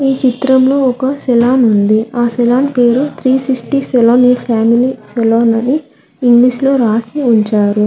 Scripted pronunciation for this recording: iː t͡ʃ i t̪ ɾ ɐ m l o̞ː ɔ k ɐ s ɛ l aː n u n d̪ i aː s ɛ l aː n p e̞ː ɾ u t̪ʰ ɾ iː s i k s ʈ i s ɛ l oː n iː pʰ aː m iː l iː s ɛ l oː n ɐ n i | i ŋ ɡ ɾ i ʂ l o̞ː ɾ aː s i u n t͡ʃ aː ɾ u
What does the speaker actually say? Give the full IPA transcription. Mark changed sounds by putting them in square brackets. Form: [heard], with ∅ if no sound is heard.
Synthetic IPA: iː t͡ʃ i t̪ ɾ ɐ m l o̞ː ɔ k ɐ s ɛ l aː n u n d̪ i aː s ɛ l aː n p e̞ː ɾ u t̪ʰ ɾ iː s i k s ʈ i s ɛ l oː n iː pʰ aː m [i] l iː s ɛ l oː n ɐ n i | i ŋ ɡ [l] i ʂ l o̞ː ɾ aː s i u [ɲ] t͡ʃ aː ɾ u